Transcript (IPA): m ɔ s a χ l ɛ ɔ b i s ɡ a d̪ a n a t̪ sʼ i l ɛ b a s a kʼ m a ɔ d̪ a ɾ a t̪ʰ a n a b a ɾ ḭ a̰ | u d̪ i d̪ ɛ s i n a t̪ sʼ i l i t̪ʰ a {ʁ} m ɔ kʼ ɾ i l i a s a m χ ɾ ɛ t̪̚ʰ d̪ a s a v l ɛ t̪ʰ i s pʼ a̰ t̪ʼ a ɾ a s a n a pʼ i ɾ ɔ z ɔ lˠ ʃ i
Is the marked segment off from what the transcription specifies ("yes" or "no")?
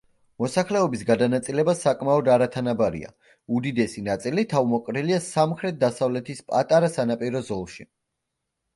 yes